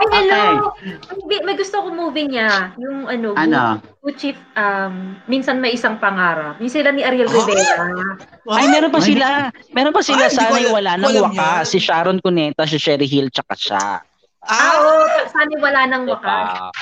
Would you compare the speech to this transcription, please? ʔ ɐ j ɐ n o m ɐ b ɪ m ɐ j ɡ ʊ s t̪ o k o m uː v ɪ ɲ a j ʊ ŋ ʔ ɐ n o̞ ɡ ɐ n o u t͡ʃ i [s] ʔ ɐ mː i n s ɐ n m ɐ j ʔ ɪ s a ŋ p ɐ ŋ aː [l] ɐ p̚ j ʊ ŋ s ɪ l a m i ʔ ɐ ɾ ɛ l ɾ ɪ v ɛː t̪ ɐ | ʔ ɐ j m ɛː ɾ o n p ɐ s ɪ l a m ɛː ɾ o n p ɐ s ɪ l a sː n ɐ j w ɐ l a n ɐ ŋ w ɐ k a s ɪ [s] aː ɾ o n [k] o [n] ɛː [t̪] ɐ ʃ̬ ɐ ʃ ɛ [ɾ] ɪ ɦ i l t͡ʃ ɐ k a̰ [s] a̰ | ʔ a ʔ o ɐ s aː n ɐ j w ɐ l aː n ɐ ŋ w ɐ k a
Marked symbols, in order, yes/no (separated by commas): no, no, no, yes, yes, yes, yes, no